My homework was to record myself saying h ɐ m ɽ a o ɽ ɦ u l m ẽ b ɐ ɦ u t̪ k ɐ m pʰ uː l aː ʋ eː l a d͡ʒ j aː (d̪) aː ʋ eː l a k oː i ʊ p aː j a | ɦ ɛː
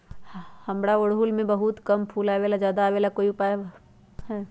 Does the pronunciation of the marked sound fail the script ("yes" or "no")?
no